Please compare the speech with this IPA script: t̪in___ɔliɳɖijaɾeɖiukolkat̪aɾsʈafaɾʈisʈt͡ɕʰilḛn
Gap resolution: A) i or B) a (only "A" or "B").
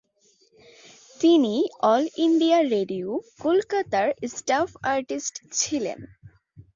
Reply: A